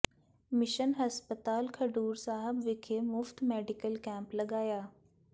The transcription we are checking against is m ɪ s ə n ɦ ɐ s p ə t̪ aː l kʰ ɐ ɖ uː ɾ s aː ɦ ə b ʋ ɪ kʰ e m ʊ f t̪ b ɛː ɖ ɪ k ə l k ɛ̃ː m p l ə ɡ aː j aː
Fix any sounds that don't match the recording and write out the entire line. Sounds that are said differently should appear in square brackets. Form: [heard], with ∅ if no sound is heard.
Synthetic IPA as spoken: m ɪ [ʃ] ə n ɦ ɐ s p ə t̪ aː l kʰ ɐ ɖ uː ɾ s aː ɦ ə b ʋ ɪ kʰ e m ʊ f t̪ [m] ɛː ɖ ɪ k ə l k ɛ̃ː m p l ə ɡ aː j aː

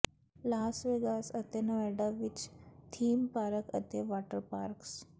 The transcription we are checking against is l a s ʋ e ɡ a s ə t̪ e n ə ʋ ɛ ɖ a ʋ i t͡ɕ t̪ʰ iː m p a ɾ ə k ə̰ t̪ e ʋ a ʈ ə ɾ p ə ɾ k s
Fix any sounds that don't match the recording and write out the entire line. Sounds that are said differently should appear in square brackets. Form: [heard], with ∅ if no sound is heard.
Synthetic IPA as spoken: l a s ʋ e ɡ a s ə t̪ e n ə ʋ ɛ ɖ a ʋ i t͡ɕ t̪ʰ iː m p a ɾ ə k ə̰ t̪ e ʋ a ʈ ə ɾ p [a] ɾ k s

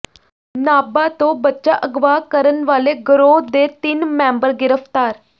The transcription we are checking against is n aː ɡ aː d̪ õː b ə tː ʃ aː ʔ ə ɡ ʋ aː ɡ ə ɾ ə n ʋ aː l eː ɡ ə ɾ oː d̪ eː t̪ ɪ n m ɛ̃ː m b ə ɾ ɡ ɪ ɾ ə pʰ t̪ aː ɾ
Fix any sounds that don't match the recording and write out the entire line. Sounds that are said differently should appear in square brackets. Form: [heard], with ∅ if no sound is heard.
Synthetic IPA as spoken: n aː [b] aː [t̪] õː b ə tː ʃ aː ʔ ə ɡ ʋ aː [k] ə ɾ ə n ʋ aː l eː ɡ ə ɾ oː d̪ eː t̪ ɪ n m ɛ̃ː m b ə ɾ ɡ ɪ ɾ ə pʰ t̪ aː ɾ

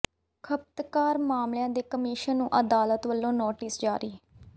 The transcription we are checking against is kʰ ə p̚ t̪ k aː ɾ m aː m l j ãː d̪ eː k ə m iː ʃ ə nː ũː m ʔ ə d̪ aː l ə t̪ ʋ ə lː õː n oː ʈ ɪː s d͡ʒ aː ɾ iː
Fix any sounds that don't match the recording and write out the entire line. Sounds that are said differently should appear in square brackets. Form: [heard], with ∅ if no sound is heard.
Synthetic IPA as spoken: kʰ ə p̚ t̪ k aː ɾ m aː m l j ãː d̪ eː k ə m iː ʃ ə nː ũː [∅] ʔ ə d̪ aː l ə t̪ ʋ ə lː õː n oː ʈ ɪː s d͡ʒ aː ɾ iː

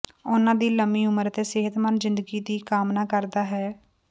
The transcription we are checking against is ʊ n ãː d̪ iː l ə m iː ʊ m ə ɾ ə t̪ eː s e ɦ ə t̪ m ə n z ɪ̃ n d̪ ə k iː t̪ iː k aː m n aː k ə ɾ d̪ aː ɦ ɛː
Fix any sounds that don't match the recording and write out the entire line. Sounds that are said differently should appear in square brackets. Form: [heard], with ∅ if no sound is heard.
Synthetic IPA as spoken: ʊ n ãː d̪ iː l ə m iː ʊ m ə ɾ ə t̪ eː s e ɦ ə t̪ m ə n z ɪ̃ n d̪ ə [ɡ] iː [d̪] iː k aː m n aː k ə ɾ d̪ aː ɦ ɛː

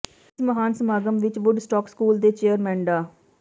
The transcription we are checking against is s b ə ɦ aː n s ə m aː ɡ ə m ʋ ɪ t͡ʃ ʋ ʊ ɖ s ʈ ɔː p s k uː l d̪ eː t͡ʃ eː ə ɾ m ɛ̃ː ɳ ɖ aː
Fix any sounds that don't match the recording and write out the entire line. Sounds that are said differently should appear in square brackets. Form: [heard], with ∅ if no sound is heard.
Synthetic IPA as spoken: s [m] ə ɦ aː n s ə m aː ɡ ə m ʋ ɪ t͡ʃ ʋ ʊ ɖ s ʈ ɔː [k] s k uː l d̪ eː t͡ʃ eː ə ɾ m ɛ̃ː ɳ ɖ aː

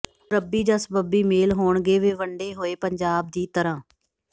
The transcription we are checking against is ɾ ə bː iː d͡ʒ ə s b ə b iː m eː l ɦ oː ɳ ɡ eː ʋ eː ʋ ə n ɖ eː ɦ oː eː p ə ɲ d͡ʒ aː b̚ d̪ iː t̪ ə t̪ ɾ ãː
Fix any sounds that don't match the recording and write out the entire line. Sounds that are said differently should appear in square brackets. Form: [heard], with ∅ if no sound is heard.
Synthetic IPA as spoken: ɾ ə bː iː d͡ʒ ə s b ə b iː m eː l ɦ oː ɳ ɡ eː ʋ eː ʋ ə [ɳ] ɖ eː ɦ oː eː p ə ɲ d͡ʒ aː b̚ d̪ iː t̪ ə [∅] ɾ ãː

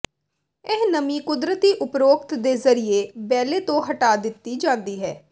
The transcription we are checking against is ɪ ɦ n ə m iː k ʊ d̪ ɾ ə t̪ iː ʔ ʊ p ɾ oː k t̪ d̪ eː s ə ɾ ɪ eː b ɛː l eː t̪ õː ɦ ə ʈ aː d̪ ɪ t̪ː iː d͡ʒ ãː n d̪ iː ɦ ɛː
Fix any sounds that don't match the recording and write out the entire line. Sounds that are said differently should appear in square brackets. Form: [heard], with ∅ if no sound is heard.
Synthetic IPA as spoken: ɪ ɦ n ə m iː k ʊ d̪ ɾ ə t̪ iː ʔ ʊ p ɾ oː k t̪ d̪ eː [z] ə ɾ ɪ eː b ɛː l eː t̪ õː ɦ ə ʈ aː d̪ ɪ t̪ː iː d͡ʒ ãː n d̪ iː ɦ ɛː

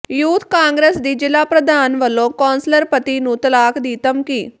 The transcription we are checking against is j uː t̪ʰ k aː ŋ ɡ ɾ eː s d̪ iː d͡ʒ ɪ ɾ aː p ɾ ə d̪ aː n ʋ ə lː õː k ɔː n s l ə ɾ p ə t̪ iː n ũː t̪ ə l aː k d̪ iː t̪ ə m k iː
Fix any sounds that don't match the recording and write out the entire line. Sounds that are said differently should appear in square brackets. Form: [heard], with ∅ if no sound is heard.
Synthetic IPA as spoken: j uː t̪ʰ k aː ŋ ɡ ɾ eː s d̪ iː d͡ʒ ɪ [l] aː p ɾ ə d̪ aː n ʋ ə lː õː k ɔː n s l ə ɾ p ə t̪ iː n ũː t̪ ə l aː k d̪ iː t̪ ə m k iː

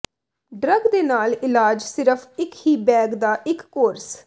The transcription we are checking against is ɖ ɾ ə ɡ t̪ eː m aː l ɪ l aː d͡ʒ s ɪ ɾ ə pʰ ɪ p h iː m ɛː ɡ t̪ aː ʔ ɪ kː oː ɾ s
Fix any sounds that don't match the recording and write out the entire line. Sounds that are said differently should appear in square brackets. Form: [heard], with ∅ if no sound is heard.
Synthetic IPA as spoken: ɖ ɾ ə ɡ [d̪] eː [n] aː l ɪ l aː d͡ʒ s ɪ ɾ ə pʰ ɪ [k] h iː [b] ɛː ɡ [d̪] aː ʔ ɪ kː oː ɾ s

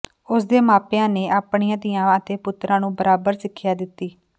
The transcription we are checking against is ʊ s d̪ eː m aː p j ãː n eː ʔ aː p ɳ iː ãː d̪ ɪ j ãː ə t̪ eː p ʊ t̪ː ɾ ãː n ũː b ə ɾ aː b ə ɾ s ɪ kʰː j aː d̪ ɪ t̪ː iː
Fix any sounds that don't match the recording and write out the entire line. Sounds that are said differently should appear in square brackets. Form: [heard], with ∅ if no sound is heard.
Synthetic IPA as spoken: ʊ s d̪ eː m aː p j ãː n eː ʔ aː p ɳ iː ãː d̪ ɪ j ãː ə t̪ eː p ʊ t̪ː ɾ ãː n ũː b ə ɾ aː b ə ɾ s ɪ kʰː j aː d̪ ɪ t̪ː iː

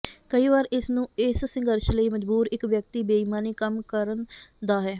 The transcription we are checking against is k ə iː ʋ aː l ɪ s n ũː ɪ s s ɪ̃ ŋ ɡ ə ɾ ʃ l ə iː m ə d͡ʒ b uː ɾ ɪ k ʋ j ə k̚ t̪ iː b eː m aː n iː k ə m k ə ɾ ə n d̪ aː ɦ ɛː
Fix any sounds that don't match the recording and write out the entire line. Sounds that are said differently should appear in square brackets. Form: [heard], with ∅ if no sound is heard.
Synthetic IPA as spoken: k ə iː ʋ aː [ɾ] ɪ s n ũː ɪ s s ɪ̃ ŋ ɡ ə ɾ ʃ l ə iː m ə d͡ʒ b uː ɾ ɪ k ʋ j ə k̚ t̪ iː b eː m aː n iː k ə m k ə ɾ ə n d̪ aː ɦ ɛː

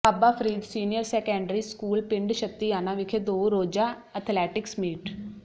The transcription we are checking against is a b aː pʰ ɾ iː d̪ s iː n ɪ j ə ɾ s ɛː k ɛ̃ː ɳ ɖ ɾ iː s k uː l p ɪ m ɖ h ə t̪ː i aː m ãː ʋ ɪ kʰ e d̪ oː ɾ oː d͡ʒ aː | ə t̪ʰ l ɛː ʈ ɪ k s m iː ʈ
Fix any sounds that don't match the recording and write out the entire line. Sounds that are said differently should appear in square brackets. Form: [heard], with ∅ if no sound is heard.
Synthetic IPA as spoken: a b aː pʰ ɾ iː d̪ s iː n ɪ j ə ɾ s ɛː k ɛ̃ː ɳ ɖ ɾ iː s k uː l p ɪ [ɳ] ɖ [ʃ] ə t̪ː i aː [n] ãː ʋ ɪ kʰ e d̪ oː ɾ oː d͡ʒ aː | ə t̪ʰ l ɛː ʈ ɪ k s m iː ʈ

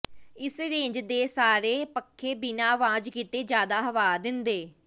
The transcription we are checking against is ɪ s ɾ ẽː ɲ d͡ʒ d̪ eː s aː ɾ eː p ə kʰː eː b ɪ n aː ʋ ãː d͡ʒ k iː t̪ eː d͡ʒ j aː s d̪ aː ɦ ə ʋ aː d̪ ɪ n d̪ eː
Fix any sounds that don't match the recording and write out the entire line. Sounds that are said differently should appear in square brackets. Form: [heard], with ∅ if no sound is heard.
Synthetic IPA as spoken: ɪ s ɾ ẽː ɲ d͡ʒ d̪ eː s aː ɾ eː p ə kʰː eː b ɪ n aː ʋ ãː d͡ʒ k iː t̪ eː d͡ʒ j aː [∅] d̪ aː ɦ ə ʋ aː d̪ ɪ n d̪ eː

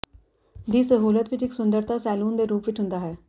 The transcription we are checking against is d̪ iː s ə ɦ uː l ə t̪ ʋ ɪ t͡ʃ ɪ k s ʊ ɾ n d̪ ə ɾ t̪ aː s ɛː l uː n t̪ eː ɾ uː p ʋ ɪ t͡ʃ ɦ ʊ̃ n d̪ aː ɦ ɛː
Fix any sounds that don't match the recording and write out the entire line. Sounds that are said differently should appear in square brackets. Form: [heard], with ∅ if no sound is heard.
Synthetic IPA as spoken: d̪ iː s ə ɦ uː l ə t̪ ʋ ɪ t͡ʃ ɪ k s ʊ [∅] n d̪ ə ɾ t̪ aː s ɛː l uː n [d̪] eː ɾ uː p ʋ ɪ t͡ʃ ɦ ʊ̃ n d̪ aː ɦ ɛː

